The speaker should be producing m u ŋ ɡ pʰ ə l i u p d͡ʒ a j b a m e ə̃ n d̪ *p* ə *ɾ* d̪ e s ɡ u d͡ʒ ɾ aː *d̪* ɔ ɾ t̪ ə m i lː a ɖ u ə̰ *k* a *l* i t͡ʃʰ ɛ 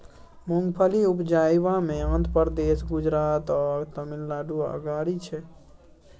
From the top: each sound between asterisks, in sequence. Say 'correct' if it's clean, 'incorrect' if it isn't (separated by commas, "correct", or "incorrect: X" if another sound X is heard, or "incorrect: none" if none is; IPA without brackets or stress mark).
correct, correct, incorrect: t̪, incorrect: ɡ, incorrect: ɽ